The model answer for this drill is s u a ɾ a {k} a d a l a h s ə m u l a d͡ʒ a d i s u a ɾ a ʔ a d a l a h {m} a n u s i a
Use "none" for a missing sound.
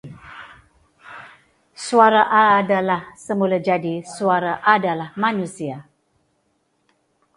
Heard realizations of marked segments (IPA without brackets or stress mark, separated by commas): ʔ, m